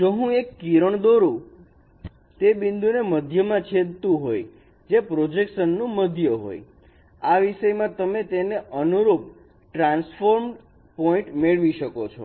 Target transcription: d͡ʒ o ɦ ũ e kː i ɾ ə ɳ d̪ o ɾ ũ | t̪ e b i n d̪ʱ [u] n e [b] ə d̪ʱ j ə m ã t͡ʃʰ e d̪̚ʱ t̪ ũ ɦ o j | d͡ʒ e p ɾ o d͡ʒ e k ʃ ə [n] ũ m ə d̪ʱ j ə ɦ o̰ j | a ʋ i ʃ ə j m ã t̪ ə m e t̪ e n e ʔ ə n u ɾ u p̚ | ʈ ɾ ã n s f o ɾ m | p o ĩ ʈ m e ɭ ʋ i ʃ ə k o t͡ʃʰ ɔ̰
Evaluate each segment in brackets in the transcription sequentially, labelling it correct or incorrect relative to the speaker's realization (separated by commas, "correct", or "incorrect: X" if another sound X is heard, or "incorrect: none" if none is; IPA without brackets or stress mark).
correct, incorrect: m, incorrect: nː